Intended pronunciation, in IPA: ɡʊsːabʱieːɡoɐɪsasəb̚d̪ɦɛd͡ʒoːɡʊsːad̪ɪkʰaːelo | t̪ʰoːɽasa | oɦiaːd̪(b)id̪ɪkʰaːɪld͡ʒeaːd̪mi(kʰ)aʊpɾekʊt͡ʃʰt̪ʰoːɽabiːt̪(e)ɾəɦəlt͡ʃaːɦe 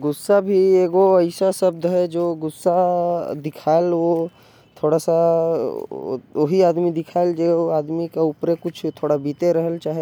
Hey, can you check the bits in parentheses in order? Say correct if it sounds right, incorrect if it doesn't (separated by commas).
incorrect, incorrect, correct